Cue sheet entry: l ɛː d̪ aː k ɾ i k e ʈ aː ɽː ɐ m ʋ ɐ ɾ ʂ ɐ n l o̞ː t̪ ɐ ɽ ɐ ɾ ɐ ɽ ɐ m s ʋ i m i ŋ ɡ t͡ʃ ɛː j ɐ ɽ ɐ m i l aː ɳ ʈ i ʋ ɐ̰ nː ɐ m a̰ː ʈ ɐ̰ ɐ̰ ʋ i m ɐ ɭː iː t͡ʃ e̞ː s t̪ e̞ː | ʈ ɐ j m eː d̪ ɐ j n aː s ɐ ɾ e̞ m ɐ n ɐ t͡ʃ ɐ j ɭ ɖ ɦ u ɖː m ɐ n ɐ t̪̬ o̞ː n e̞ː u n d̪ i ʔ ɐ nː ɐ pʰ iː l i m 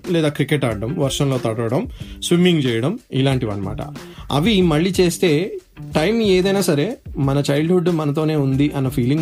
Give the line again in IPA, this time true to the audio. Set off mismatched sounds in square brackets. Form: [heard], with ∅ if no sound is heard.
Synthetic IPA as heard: l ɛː d̪ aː k ɾ i k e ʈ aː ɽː ɐ m ʋ ɐ ɾ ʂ ɐ n l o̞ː t̪ ɐ ɽ ɐ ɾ ɐ ɽ ɐ m s ʋ i m i ŋ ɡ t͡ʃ ɛː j ɐ ɽ ɐ m i l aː ɳ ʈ i ʋ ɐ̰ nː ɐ m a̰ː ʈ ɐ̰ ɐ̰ ʋ i m ɐ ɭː iː t͡ʃ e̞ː s t̪ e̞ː | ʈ ɐ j m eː d̪ ɐ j n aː s ɐ ɾ e̞ m ɐ n ɐ t͡ʃ ɐ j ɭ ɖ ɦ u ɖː m ɐ n ɐ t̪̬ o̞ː n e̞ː u n d̪ i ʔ ɐ nː ɐ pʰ iː l i [ŋ]